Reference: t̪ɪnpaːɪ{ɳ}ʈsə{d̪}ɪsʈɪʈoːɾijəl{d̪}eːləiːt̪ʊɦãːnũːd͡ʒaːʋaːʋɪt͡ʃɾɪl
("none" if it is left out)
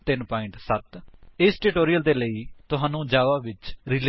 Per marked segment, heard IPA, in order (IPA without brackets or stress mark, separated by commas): ɳ, t̪, d̪